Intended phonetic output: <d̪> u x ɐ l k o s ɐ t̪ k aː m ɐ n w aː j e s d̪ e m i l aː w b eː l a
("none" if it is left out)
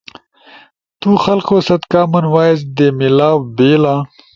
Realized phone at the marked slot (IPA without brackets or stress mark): t̪